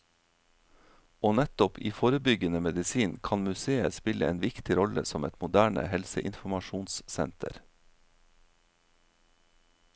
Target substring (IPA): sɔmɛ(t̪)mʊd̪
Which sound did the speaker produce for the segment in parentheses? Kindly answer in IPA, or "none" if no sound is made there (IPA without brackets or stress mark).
t̪